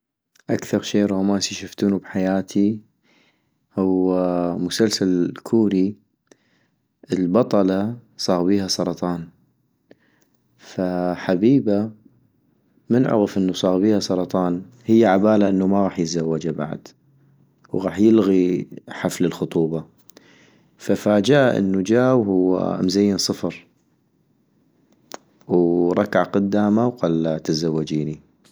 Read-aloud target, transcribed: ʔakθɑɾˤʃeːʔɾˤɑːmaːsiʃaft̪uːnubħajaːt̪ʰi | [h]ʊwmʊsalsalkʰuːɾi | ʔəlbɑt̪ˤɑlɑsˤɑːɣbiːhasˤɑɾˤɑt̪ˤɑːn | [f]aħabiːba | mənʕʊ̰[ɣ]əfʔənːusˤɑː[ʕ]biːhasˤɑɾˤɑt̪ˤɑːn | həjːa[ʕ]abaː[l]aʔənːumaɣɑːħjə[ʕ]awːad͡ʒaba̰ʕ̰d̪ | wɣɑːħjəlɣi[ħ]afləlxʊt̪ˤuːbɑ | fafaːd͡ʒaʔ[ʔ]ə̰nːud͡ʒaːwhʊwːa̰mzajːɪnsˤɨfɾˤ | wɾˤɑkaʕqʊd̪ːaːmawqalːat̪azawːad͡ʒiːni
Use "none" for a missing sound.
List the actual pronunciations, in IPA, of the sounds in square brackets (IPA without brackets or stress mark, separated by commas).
h, f, ɣ, ɣ, ʕ, l, z, ħ, ʔ